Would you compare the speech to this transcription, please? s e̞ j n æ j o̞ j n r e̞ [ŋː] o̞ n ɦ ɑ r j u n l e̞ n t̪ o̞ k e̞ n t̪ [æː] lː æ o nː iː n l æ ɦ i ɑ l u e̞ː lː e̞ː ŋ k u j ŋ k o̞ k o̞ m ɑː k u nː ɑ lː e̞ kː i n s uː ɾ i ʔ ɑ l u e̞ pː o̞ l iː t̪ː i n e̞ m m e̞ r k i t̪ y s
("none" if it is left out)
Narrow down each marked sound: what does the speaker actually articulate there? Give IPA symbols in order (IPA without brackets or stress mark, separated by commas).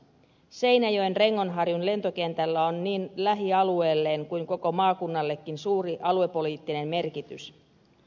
ŋː, æ